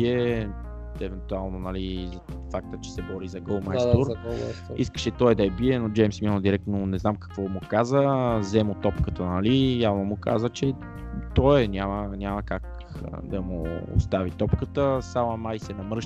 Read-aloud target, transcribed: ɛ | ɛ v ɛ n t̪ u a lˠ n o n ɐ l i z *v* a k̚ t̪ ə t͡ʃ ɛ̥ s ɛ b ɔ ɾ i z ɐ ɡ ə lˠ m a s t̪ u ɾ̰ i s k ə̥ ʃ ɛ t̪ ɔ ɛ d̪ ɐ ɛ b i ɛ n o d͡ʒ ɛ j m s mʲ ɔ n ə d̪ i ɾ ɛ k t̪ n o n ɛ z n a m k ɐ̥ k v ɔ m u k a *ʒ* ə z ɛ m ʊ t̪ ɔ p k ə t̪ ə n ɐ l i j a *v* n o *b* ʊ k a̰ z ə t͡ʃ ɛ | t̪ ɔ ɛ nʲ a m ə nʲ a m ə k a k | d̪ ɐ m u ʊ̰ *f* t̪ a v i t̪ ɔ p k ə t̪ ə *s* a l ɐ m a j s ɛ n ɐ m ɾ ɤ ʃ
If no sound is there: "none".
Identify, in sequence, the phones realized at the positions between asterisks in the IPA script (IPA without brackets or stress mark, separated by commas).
f, z, v, m, s, s